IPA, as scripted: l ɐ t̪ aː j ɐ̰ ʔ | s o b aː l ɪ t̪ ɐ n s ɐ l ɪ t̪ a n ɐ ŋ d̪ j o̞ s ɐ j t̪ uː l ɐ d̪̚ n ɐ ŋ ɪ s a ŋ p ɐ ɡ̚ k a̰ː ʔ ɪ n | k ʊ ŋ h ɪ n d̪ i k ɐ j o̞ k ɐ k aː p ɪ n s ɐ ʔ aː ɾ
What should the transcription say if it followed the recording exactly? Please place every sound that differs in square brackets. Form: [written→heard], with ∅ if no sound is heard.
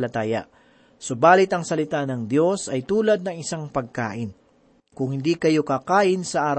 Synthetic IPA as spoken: l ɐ t̪ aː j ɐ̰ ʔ | s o b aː l ɪ t̪ ɐ [n→ŋ] s ɐ l ɪ t̪ a n ɐ ŋ d̪ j o̞ s ɐ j t̪ uː l ɐ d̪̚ n ɐ ŋ ɪ s a ŋ p ɐ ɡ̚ k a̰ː ʔ ɪ n | k ʊ ŋ h ɪ n d̪ i k ɐ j o̞ k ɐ k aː [p→ʔ] ɪ n s ɐ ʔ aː ɾ